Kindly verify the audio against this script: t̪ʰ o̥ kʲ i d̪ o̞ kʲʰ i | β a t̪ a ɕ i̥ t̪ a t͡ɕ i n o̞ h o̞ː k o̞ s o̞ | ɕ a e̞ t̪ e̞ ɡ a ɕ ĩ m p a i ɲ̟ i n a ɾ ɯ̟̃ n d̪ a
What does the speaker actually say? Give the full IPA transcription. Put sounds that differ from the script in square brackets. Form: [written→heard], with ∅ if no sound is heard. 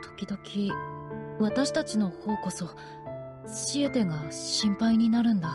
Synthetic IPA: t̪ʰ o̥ kʲ i d̪ o̞ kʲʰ i | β a t̪ a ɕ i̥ t̪ a t͡ɕ i n o̞ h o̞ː k o̞ s o̞ | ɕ [a→i] e̞ t̪ e̞ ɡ a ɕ ĩ m p a i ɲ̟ i n a ɾ ɯ̟̃ n d̪ a